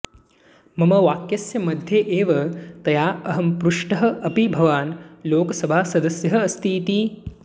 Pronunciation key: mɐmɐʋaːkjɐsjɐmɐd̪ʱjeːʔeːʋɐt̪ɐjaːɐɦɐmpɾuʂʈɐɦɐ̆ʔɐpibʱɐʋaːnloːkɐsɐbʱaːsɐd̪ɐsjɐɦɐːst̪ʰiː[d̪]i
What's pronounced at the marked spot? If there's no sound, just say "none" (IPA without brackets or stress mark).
t̪